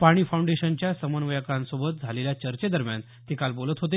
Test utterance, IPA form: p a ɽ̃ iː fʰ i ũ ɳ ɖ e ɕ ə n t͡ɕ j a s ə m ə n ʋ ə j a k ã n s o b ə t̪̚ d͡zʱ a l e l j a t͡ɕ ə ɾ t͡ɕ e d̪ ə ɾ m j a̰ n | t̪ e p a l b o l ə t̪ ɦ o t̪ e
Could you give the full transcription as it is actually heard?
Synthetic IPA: p a ɽ̃ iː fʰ a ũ ɳ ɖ e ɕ ə n t͡ɕ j a s ə m ə n ʋ ə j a k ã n s o b ə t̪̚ d͡zʱ a l e l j a t͡ɕ ə ɾ t͡ɕ e d̪ ə ɾ m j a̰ n | t̪ e k a l b o l ə t̪ ɦ o t̪ e